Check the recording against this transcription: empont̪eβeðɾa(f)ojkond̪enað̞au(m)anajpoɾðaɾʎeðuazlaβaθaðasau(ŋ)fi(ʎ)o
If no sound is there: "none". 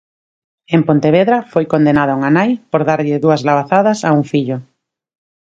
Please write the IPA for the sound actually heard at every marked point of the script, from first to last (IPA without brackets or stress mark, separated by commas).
f, ŋ, ŋ, ʎ